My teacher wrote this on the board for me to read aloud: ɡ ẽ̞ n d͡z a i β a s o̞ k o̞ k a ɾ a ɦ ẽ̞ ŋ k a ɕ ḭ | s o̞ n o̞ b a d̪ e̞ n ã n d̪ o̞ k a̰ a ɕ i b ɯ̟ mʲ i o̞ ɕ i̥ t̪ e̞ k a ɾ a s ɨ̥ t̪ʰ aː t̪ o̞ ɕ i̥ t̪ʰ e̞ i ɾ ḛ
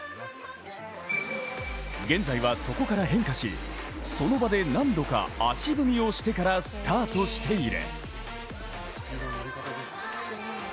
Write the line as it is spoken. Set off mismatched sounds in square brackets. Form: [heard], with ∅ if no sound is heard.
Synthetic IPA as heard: ɡ ẽ̞ n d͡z a i β a s o̞ k o̞ k a ɾ a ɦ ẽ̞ ŋ k a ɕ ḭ | s o̞ n o̞ b a d̪ e̞ n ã n d̪ o̞ k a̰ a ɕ i b ɯ̟ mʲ i o̞ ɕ i̥ t̪ e̞ k a ɾ a s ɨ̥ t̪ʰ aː t̪ o̞ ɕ i̥ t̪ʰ e̞ i ɾ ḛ